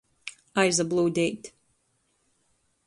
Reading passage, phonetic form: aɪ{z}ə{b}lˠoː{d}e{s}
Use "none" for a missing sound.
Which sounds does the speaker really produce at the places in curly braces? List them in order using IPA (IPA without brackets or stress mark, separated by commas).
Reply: z, b, d, t